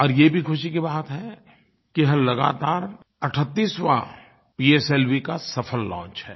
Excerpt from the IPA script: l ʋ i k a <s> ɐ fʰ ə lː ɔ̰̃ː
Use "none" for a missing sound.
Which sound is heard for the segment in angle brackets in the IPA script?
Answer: s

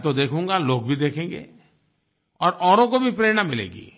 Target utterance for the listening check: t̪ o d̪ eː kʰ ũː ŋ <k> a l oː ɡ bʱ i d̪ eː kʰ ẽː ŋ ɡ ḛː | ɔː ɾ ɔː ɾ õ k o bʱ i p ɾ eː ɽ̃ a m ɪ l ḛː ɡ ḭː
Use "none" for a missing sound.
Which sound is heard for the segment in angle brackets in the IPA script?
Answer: ɡ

